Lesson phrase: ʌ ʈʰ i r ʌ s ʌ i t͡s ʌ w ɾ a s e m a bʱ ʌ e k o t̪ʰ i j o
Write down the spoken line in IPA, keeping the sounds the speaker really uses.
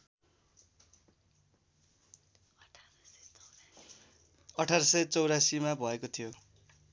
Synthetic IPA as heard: ʌ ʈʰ a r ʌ s ʌ j t͡s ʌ w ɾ a s i m a bʱ ʌ e k o t̪ʰ i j o

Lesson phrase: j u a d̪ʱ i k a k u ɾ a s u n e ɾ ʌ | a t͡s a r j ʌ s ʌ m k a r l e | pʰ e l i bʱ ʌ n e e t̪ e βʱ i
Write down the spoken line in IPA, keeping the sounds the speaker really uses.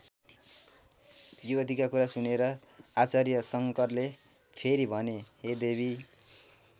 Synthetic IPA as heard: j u ʌ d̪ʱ i k a k u ɾ a s u n e ɾ ʌ | a t͡s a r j ʌ s ʌ ŋ k ʌ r l e | pʰ e ɾ i bʱ ʌ n e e d̪ e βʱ i

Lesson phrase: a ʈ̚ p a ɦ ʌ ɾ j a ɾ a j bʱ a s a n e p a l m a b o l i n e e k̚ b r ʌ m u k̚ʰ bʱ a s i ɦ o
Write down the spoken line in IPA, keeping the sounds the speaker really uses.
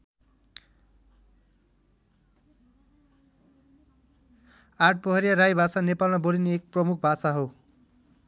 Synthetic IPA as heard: a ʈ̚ p ʌ ɦ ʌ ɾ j a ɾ a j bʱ a s a n e p a l m a b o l i n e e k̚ p r ʌ m u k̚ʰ bʱ a s a ɦ o

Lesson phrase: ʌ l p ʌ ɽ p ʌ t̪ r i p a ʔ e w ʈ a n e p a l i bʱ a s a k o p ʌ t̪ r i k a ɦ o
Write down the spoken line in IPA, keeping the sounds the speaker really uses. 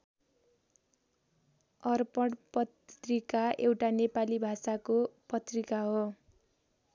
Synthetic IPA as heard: ʌ r p ʌ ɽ p ʌ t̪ r i k a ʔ e w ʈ a n e p a l i bʱ a s a k o p ʌ t̪ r i k a ɦ o

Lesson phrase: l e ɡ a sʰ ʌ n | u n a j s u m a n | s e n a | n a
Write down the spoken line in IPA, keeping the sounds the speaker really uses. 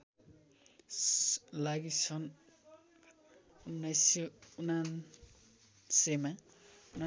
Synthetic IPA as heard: l a ɡ i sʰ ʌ n | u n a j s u n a n | s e m a | n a

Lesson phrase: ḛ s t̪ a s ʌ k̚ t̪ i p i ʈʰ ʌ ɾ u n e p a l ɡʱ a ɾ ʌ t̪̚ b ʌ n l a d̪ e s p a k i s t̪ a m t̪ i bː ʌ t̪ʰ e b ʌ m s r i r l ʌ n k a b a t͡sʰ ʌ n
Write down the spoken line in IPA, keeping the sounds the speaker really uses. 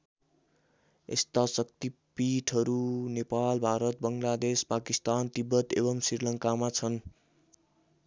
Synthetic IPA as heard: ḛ s t̪ a s ʌ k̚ t̪ i p i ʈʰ ʌ ɾ u n e p a l bʱ a ɾ ʌ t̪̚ b ʌ ŋ l a d̪ e s p a k i s t̪ a n t̪ i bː ʌ t̪ e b ʌ m s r i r l ʌ ŋ k a m a t͡sʰ ʌ n

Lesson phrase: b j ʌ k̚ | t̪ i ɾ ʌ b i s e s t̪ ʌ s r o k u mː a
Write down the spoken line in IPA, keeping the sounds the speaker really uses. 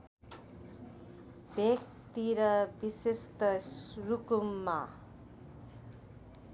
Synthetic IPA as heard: b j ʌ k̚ | t̪ i ɾ ʌ b i s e s t̪ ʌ s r u k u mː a

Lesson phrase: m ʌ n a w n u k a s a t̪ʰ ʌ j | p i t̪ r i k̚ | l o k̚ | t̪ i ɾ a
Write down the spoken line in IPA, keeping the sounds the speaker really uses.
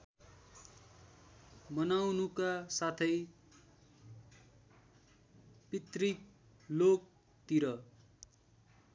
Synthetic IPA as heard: m ʌ n a w n u k a s a t̪ʰ ʌ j | p i t̪ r i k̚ | l o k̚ | t̪ i ɾ ʌ

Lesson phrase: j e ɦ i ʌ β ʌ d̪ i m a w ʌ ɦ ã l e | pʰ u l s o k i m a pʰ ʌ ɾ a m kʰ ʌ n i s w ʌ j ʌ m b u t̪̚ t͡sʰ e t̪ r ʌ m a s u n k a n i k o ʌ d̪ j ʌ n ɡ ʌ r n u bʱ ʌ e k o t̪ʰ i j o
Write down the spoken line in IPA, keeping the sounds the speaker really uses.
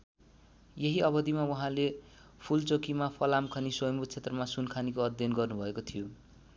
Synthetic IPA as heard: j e ɦ i ʌ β ʌ d̪ i m a w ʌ ɦ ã l e | pʰ u l t͡s o k i m a pʰ ʌ l a m kʰ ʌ n i s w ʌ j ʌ m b u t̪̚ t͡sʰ e t̪ r ʌ m a s u n kʰ a n i k o ʌ d̪ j ʌ n ɡ ʌ r n u bʱ ʌ e k o t̪ʰ i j o

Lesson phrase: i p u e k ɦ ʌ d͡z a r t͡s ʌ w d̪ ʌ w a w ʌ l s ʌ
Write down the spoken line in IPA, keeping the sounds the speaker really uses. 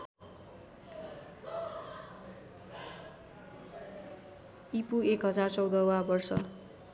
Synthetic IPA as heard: i p u e k ɦ ʌ d͡z a r t͡s ʌ w d̪ ʌ w a b ʌ r s ʌ

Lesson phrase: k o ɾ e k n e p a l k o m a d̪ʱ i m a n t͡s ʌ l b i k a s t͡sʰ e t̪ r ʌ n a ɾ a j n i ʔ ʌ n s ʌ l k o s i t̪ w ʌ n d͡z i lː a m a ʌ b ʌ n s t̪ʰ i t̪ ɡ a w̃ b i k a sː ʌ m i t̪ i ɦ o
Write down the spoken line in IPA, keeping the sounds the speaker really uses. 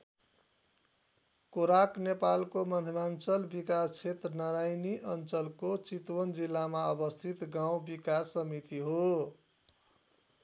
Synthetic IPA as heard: k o ɾ a k n e p a l k o m ʌ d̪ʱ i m a n t͡s ʌ l b i k a s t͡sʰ e t̪ r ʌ n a ɾ a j n i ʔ ʌ n t͡s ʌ l k o t͡s i t̪ w ʌ n d͡z i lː a m a ʌ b ʌ s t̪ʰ i t̪ ɡ a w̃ b i k a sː ʌ m i t̪ i ɦ o

